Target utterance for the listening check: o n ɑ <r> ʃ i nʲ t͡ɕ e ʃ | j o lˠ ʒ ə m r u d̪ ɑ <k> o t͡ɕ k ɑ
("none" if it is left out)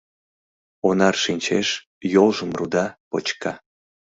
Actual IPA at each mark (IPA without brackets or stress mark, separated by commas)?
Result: r, p